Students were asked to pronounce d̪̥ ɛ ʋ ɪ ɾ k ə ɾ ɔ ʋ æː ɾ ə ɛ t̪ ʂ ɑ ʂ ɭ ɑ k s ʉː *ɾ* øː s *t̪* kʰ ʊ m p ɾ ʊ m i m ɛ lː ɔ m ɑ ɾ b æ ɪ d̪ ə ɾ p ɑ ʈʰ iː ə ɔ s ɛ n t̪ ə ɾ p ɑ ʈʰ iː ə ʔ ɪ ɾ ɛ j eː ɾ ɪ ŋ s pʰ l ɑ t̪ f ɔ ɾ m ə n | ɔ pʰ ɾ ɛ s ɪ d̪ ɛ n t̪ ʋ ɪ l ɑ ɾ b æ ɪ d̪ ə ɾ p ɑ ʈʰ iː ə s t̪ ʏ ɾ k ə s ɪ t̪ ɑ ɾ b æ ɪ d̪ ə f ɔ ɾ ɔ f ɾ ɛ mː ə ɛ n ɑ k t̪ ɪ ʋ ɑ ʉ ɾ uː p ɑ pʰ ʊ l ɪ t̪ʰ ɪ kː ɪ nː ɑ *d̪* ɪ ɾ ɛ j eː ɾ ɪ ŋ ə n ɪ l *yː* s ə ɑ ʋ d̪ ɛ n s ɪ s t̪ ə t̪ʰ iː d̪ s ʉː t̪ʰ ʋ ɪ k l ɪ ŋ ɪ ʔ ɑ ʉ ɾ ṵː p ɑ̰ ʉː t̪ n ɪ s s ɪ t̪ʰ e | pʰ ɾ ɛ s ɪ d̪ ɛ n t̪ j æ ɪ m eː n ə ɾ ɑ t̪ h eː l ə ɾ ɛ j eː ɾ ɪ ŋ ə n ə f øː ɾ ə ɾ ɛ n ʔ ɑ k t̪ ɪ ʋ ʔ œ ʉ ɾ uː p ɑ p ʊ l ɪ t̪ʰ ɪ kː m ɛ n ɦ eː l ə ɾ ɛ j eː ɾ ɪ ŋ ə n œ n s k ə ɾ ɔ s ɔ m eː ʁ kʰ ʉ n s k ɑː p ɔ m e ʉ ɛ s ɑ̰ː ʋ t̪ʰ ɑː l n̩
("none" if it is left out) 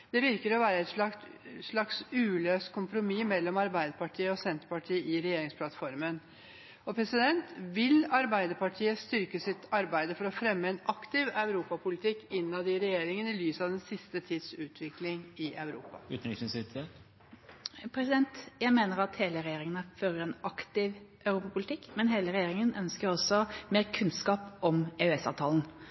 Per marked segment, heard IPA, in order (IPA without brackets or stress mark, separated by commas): l, t̪, d̪, yː